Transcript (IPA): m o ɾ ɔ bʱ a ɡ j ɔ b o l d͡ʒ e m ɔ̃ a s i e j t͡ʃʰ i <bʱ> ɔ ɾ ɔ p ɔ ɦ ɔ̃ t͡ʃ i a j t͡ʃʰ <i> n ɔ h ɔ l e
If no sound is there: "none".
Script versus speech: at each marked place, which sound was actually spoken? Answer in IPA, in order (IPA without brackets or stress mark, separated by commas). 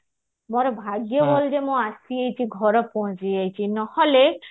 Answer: ɡʱ, i